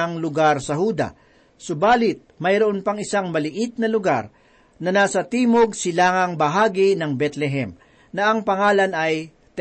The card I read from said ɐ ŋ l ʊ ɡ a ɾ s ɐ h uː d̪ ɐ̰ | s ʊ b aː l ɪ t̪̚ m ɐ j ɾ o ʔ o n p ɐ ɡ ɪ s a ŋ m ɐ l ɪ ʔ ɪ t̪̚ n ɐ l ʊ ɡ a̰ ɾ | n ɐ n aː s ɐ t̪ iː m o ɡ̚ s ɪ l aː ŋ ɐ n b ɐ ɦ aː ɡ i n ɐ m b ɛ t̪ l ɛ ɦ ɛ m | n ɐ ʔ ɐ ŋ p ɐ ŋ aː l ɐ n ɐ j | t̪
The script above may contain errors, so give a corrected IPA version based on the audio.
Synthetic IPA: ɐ ŋ l ʊ ɡ a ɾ s ɐ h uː d̪ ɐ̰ | s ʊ b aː l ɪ t̪̚ m ɐ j ɾ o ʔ o n p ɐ ŋ ɪ s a ŋ m ɐ l ɪ ʔ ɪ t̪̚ n ɐ l ʊ ɡ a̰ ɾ | n ɐ n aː s ɐ t̪ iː m o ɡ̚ s ɪ l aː ŋ ɐ ŋ b ɐ ɦ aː ɡ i n ɐ ŋ b ɛ t̪ l ɛ ɦ ɛ m | n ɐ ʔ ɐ ŋ p ɐ ŋ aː l ɐ n ɐ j | t̪